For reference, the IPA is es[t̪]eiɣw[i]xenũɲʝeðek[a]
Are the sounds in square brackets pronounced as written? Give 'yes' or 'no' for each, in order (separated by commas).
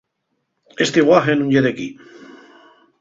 yes, no, no